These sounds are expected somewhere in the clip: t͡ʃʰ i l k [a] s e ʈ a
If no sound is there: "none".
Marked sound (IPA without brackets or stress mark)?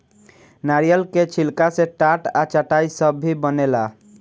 a